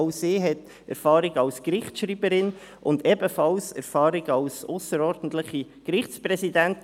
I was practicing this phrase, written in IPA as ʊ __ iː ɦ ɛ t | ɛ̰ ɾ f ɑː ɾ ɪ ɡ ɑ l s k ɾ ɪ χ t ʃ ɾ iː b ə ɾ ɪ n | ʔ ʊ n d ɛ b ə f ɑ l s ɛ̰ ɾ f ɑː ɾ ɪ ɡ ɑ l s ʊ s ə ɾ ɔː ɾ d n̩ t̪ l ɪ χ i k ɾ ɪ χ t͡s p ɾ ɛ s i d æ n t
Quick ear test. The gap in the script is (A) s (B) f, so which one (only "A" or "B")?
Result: A